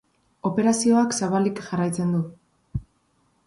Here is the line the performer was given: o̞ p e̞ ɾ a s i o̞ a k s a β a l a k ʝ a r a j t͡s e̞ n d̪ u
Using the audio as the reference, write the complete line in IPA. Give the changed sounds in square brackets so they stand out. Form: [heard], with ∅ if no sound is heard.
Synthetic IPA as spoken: o̞ p e̞ ɾ a s i o̞ a k s a β a l [i] k ʝ a r a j t͡s e̞ n d̪ u